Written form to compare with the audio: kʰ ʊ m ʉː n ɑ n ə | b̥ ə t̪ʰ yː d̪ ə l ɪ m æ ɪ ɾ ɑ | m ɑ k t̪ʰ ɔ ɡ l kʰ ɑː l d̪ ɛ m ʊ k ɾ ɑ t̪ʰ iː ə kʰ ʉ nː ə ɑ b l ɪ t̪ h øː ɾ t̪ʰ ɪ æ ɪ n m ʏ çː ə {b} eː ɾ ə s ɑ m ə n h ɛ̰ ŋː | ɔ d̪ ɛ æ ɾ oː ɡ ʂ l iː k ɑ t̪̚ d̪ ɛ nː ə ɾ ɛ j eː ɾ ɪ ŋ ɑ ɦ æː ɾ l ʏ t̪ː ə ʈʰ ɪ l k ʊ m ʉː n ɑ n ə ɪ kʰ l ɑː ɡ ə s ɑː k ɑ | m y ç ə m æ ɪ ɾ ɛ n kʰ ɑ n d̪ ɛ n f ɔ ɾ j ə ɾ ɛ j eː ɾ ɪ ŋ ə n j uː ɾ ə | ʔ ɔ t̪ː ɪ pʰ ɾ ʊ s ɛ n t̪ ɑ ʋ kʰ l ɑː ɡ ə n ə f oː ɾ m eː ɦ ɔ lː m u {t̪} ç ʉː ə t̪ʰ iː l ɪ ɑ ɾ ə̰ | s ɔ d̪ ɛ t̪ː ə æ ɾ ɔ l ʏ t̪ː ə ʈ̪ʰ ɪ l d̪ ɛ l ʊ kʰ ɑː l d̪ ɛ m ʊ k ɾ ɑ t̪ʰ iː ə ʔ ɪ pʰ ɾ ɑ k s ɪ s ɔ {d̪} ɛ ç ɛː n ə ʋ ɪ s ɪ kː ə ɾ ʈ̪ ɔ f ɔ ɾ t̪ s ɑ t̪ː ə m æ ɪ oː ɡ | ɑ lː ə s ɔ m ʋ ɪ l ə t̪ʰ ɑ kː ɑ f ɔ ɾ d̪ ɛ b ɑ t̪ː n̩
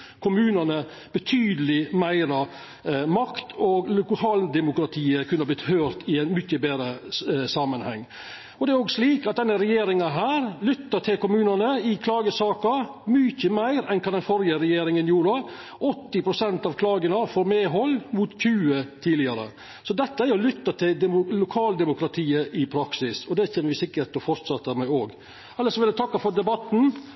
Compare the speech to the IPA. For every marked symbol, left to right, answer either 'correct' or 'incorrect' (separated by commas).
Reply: correct, correct, correct